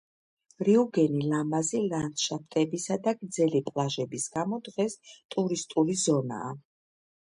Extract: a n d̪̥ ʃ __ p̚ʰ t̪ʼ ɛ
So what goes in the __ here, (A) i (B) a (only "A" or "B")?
B